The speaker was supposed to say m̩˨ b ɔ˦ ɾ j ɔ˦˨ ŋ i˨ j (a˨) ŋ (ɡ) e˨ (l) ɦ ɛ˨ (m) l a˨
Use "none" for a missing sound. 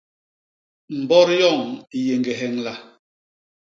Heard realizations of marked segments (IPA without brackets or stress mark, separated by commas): e˨, ɡ, none, ŋ